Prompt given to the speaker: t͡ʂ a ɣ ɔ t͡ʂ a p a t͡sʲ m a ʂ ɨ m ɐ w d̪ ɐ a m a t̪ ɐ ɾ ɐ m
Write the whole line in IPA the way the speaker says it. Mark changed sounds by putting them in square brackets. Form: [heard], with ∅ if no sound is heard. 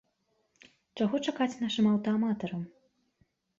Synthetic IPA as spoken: t͡ʂ a ɣ ɔ t͡ʂ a [k] a t͡sʲ [n] a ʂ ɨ m ɐ w [t̪] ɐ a m a t̪ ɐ ɾ ɐ m

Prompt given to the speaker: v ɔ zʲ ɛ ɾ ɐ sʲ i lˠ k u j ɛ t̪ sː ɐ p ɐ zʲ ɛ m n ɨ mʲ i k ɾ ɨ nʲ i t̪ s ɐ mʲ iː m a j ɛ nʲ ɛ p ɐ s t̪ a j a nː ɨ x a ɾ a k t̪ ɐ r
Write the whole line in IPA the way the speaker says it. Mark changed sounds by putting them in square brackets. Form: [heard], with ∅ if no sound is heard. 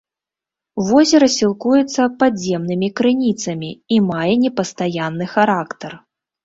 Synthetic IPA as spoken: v ɔ zʲ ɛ ɾ ɐ sʲ i lˠ k u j ɛ t̪ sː ɐ p [a] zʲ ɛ m n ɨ mʲ i k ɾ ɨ nʲ i t̪ s ɐ mʲ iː m a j ɛ nʲ ɛ p ɐ s t̪ a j a nː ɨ x a ɾ a k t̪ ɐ r

